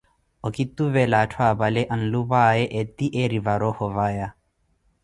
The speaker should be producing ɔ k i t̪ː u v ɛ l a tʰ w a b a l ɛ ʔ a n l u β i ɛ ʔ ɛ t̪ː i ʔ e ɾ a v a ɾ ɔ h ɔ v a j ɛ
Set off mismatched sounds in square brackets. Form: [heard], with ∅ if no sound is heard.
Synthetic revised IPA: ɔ k i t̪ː u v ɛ l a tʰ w a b a l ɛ ʔ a n l u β [a] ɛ ʔ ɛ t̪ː i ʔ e ɾ [i] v a ɾ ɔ h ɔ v a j [a]